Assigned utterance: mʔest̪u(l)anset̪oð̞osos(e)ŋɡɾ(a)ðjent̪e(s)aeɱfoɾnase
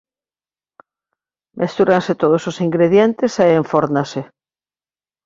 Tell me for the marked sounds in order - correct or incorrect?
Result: incorrect: ɾ, incorrect: i, incorrect: e, correct

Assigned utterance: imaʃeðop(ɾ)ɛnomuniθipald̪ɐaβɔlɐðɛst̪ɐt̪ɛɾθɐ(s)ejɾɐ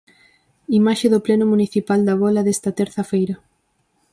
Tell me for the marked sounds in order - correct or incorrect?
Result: incorrect: l, incorrect: f

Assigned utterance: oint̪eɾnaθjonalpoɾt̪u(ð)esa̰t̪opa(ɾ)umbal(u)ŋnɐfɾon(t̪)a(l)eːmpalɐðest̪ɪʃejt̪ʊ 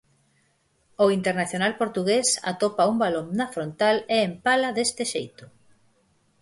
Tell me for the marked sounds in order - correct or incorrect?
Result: incorrect: ɣ, incorrect: none, incorrect: o, correct, correct

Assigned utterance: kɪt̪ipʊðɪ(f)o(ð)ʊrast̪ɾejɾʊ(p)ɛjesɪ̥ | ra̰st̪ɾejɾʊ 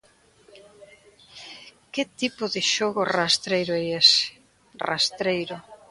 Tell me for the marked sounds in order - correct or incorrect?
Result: incorrect: ʃ, incorrect: ɣ, incorrect: none

